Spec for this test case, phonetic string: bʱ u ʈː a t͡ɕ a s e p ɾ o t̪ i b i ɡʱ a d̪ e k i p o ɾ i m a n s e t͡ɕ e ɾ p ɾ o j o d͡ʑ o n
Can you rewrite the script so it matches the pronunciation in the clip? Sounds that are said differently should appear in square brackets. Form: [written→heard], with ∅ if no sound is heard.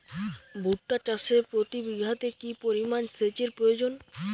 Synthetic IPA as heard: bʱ u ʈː a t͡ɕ a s e p ɾ o t̪ i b i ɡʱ a [d̪→t̪] e k i p o ɾ i m a n s e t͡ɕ e ɾ p ɾ o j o d͡ʑ o n